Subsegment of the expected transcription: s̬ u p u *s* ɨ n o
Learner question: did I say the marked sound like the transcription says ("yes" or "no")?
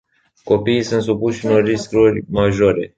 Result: no